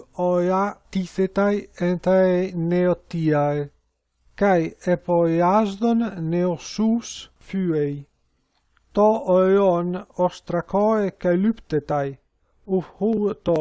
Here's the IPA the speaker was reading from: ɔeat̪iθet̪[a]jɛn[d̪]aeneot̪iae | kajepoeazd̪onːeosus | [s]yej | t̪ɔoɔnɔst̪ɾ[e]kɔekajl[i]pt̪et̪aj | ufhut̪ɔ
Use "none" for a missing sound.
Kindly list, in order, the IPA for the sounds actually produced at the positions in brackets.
a, t̪, f, a, y

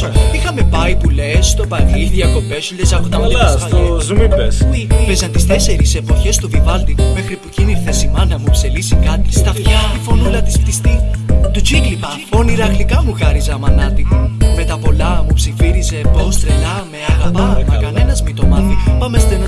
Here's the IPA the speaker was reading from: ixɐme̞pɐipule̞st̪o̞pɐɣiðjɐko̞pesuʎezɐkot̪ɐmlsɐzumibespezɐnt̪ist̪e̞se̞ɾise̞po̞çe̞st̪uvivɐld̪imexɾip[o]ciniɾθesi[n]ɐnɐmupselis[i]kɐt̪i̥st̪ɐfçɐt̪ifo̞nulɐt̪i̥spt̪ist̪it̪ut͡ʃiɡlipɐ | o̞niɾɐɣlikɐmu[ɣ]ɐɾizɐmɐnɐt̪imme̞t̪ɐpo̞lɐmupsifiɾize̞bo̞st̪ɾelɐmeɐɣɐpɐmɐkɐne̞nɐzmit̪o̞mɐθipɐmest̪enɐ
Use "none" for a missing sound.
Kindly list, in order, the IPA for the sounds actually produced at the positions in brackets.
u, m, i, ɣ

